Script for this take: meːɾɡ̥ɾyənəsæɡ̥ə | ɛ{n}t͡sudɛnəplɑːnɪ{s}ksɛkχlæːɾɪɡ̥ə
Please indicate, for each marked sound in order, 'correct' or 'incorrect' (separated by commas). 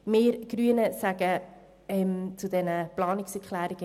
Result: incorrect, incorrect